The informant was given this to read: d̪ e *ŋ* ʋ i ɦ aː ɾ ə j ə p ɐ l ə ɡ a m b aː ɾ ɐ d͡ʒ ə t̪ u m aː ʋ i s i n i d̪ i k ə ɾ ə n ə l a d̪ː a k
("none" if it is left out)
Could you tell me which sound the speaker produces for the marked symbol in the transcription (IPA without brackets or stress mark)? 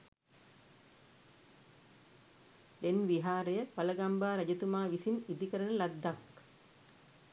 n